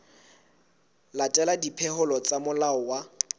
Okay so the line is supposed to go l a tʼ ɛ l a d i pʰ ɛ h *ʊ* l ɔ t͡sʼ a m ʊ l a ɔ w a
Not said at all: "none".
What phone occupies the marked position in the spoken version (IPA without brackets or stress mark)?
ʊ